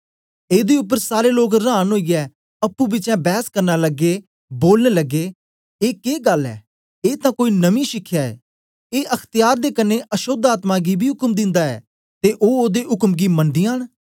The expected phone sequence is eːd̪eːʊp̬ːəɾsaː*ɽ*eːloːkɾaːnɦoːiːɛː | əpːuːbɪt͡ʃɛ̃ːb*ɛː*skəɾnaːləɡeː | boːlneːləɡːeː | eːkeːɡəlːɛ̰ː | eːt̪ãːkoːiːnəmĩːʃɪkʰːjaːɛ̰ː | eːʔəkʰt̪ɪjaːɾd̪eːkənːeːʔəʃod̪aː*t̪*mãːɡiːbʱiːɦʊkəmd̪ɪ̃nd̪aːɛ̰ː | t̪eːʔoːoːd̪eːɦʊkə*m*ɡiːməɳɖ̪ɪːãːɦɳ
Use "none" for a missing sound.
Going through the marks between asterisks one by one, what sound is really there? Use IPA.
ɾ, ɛː, t̪, m

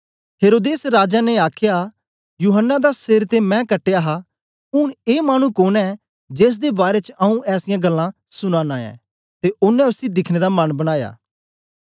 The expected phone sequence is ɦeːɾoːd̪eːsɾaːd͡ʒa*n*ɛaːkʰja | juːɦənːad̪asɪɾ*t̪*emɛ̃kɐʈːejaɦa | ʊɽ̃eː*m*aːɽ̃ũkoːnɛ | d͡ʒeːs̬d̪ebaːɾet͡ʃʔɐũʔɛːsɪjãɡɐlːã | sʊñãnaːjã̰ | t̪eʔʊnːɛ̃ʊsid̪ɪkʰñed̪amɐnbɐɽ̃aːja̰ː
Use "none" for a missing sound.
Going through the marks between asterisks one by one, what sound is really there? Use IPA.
n, t̪, m

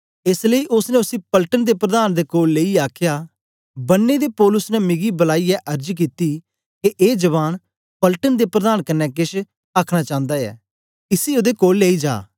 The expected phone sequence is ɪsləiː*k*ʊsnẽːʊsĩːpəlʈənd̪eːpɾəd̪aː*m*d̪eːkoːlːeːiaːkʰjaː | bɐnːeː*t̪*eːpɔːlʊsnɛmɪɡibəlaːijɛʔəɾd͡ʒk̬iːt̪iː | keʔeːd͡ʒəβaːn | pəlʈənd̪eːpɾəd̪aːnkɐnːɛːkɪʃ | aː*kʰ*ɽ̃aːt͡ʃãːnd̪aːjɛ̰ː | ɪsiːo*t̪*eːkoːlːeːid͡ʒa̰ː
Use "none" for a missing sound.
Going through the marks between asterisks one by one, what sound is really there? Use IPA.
ʔ, n, d̪, kʰ, d̪

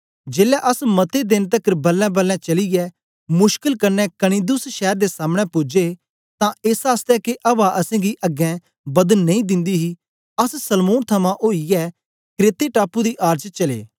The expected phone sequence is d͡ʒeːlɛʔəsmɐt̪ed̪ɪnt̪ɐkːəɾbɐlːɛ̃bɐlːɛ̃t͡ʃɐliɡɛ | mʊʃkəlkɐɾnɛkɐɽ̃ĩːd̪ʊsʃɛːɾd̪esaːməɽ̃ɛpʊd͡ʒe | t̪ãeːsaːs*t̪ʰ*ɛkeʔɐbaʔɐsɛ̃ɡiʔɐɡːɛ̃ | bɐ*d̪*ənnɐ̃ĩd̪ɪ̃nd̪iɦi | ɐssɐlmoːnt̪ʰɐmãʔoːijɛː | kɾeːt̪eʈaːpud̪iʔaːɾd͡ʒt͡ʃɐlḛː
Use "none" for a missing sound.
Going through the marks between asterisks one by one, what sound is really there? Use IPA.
t̪, d̪

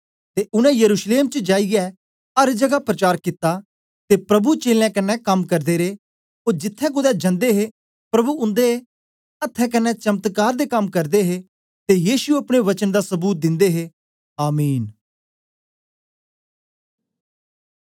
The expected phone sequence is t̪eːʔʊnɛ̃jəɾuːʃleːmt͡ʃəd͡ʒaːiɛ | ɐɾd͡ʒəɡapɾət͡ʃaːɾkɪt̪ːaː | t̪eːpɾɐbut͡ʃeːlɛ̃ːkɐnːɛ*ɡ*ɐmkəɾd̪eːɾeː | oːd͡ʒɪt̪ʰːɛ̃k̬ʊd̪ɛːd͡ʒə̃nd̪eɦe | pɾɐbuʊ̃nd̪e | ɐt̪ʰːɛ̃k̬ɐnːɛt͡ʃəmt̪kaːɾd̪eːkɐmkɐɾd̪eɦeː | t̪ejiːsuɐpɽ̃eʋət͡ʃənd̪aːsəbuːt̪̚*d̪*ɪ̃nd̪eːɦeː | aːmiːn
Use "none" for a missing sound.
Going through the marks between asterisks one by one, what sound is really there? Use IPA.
k, d̪

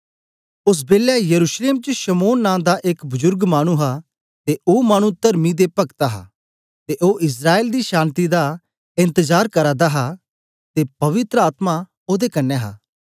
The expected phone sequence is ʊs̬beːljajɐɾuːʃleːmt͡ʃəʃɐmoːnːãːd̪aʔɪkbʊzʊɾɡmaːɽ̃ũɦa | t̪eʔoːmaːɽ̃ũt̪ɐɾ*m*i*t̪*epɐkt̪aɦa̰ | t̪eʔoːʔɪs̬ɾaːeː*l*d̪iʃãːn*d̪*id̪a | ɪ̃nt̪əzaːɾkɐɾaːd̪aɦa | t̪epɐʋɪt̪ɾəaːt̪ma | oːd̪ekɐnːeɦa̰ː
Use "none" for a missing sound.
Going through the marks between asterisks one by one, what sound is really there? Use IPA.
m, d̪, l, t̪

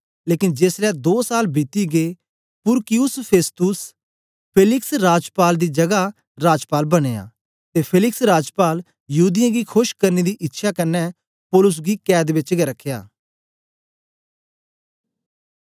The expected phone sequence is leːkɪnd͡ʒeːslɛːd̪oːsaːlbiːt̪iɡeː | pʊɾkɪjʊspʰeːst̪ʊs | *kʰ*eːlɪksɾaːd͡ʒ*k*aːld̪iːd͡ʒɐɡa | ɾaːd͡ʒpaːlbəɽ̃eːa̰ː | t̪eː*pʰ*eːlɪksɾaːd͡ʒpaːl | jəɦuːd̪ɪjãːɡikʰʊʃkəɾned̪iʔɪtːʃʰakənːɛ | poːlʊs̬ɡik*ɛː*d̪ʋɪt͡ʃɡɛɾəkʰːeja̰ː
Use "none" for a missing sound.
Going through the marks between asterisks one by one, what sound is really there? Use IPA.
pʰ, p, pʰ, ɛː

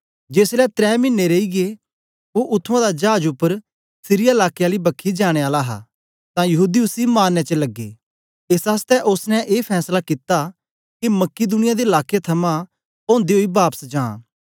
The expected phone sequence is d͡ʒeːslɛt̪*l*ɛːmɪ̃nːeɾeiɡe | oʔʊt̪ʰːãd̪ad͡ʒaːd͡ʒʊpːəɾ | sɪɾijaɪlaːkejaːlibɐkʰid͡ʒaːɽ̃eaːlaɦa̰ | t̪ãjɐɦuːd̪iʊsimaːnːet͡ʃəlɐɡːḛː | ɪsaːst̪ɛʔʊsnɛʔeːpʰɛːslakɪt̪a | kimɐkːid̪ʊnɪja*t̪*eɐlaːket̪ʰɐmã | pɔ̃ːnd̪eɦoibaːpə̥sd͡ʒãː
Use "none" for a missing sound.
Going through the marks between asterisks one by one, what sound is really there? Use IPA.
ɾ, d̪

